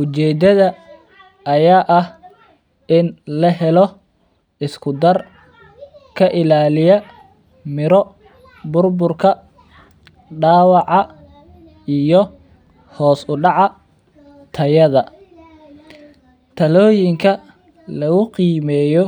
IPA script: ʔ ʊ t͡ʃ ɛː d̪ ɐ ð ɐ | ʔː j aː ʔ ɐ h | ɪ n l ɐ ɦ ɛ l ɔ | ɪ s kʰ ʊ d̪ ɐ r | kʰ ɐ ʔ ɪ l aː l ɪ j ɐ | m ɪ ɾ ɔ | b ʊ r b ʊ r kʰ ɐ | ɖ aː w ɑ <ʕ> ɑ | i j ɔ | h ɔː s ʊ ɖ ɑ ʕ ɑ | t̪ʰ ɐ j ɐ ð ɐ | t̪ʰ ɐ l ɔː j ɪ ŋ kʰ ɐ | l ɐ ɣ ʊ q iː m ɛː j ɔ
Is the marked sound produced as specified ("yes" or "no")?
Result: yes